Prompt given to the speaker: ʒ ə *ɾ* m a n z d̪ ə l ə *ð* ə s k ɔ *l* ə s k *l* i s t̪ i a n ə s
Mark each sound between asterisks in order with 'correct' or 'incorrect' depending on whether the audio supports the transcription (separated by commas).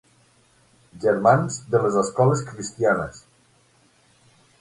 correct, incorrect, correct, incorrect